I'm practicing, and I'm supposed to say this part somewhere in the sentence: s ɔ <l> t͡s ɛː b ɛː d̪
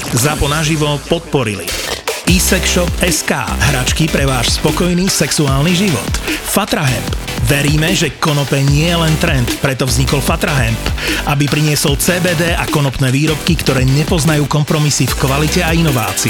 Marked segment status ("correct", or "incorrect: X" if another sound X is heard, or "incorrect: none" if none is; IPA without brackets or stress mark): correct